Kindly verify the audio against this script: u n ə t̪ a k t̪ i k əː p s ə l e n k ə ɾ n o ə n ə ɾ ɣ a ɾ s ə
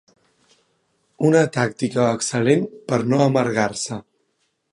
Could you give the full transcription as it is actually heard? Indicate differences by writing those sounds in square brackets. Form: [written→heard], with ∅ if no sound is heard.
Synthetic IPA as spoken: u n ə t̪ a k t̪ i k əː [p→k] s ə l e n [k→p] ə ɾ n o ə [n→m] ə ɾ ɣ a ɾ s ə

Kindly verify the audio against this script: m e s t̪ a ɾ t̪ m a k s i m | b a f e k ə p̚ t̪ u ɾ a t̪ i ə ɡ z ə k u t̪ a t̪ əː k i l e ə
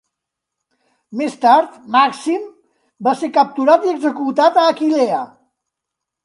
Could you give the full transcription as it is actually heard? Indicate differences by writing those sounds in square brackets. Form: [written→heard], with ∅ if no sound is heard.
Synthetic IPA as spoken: m e s t̪ a ɾ t̪ m a k s i m | b a [f→s] e k ə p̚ t̪ u ɾ a t̪ i ə ɡ z ə k u t̪ a t̪ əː k i l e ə

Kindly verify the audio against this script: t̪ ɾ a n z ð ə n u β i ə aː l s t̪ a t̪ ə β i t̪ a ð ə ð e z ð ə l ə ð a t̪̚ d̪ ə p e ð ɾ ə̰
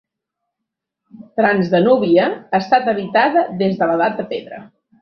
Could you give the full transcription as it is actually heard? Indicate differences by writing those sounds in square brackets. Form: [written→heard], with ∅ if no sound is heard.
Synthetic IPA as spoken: t̪ ɾ a n z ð ə n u β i ə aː [l→∅] s t̪ a t̪ ə β i t̪ a ð ə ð e z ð ə l ə ð a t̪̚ d̪ ə p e ð ɾ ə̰

